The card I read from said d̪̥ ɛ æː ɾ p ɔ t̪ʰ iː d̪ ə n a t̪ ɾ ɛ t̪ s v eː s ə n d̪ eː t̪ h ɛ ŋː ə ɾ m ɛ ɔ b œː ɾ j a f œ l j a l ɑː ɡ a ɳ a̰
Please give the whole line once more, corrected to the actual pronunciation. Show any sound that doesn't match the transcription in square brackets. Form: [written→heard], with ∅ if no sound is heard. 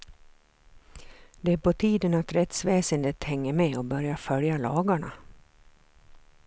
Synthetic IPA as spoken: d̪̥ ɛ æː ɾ p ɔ t̪ʰ iː d̪ ə n a t̪ ɾ ɛ t̪ s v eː s ə n d̪ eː t̪ h ɛ ŋː ə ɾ m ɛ ɔ b [œː→œ] ɾ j a f œ l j a l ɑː ɡ a ɳ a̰